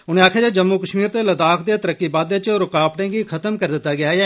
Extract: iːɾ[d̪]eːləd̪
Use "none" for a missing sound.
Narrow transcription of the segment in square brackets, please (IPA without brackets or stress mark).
t̪